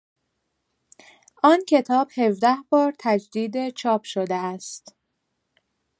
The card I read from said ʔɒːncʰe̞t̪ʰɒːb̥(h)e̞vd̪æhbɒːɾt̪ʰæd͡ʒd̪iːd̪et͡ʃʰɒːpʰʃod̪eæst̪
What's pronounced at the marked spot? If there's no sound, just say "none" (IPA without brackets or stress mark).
h